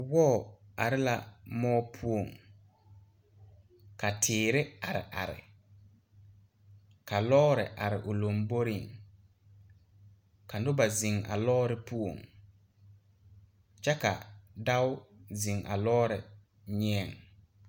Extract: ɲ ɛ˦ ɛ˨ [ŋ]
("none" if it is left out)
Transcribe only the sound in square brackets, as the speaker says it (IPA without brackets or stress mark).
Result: ŋ